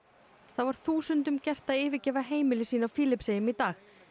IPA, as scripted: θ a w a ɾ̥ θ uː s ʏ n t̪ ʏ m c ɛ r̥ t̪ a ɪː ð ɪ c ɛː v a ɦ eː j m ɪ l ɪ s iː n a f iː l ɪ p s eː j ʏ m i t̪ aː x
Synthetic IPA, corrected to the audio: θ a v a ɾ̥ θ uː s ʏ n t̪ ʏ m c ɛ r̥ t̪ a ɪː v ɪ c ɛː v a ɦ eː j m ɪ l ɪ s iː n a f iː l ɪ p s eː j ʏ m i t̪ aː x